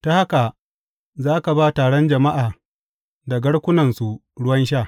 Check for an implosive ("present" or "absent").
absent